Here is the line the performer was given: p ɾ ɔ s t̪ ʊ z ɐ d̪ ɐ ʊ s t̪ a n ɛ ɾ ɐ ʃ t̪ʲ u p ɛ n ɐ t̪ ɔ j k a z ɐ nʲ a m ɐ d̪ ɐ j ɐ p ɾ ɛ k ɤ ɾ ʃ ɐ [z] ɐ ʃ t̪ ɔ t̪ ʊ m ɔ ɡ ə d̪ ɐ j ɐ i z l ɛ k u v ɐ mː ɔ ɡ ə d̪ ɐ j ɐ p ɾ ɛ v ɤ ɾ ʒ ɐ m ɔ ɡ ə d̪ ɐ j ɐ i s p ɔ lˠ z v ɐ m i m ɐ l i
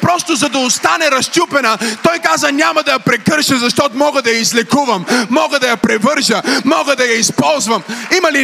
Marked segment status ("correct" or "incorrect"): correct